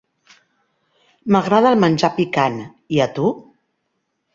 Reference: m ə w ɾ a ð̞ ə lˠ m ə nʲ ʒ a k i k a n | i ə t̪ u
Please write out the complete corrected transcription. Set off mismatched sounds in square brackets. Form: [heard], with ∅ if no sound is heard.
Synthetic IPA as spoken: m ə [ɣ] ɾ a ð̞ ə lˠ m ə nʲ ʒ a [p] i k a n | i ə t̪ u